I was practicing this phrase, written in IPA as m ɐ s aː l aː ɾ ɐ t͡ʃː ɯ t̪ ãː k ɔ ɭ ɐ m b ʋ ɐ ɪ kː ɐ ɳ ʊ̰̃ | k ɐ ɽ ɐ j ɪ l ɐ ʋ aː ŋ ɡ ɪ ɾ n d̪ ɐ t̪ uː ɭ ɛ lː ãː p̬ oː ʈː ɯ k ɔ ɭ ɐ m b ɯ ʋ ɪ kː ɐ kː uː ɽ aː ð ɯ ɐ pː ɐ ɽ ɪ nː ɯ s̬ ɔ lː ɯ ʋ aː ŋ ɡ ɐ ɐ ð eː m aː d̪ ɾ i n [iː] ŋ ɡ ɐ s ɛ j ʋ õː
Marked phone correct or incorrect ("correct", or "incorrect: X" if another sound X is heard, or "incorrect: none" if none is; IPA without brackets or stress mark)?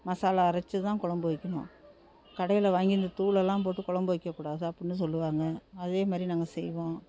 incorrect: aː